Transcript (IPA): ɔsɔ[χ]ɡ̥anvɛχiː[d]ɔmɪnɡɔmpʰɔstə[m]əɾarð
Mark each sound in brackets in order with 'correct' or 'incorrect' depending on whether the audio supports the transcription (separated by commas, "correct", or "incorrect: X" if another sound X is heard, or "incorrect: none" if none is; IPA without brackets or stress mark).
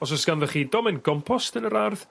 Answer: incorrect: s, correct, incorrect: n